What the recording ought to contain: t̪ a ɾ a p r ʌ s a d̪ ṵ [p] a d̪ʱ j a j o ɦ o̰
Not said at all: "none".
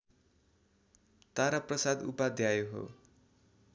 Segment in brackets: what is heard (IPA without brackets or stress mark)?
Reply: p